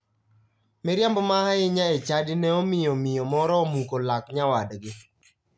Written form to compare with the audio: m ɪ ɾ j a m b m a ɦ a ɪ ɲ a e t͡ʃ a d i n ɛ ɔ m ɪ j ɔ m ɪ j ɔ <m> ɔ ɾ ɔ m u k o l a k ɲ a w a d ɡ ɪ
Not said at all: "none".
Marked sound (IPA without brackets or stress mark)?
m